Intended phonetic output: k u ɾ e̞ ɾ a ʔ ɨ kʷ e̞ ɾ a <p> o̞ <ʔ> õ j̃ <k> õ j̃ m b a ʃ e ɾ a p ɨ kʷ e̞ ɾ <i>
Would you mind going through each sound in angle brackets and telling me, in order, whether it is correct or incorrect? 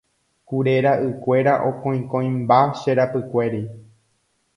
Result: incorrect, incorrect, correct, correct

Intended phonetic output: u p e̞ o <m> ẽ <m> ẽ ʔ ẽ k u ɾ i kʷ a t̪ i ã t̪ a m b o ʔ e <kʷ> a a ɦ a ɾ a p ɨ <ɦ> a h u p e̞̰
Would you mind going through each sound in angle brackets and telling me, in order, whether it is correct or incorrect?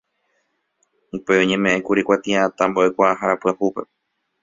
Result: incorrect, correct, correct, incorrect

